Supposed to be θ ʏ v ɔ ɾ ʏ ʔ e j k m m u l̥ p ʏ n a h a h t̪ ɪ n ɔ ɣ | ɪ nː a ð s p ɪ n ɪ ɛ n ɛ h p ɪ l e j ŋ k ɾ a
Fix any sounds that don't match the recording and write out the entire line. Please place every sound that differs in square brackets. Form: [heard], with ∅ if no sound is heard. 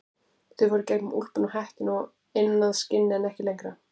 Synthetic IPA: θ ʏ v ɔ ɾ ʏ [c] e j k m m u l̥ p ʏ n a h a h t̪ ɪ n ɔ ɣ | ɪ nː a ð s [c] ɪ [nː] ɪ ɛ n ɛ h [c] ɪ l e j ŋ k ɾ a